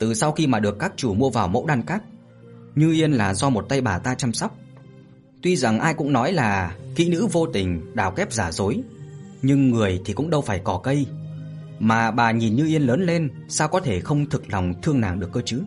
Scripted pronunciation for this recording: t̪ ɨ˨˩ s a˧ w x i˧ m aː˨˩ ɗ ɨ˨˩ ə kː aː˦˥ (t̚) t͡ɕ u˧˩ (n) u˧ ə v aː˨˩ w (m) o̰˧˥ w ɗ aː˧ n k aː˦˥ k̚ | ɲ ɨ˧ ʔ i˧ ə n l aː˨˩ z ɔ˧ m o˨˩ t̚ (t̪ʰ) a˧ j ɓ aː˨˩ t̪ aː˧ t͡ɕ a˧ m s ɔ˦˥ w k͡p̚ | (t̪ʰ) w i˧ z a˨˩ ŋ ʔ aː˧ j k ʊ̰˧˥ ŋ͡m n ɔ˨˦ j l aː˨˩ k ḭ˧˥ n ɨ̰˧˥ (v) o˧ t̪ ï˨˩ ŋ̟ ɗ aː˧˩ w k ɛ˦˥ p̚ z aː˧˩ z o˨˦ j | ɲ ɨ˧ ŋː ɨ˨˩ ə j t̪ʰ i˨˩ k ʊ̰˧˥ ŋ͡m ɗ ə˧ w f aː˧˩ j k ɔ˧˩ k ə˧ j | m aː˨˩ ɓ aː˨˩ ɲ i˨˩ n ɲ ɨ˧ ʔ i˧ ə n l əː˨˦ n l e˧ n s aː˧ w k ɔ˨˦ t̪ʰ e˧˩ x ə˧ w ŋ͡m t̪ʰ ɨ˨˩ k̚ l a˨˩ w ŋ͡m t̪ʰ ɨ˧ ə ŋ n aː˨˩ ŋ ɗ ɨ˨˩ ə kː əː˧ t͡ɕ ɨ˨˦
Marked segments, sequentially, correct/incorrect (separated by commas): incorrect, incorrect, correct, incorrect, incorrect, correct